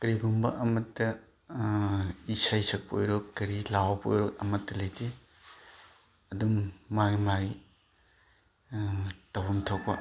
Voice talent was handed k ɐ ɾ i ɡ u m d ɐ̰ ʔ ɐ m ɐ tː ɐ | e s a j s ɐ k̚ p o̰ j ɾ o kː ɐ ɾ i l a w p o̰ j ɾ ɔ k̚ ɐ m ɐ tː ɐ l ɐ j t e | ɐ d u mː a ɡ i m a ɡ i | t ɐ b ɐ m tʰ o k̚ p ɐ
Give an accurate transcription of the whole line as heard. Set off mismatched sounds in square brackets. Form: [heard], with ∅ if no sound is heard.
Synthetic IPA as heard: k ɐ ɾ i ɡ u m [b] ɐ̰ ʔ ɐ m ɐ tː ɐ | [i] s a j s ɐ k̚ p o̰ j ɾ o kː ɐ ɾ i l a w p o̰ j ɾ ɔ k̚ ɐ m ɐ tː ɐ l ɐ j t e | ɐ d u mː a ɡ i m a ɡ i | t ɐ [w] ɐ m tʰ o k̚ p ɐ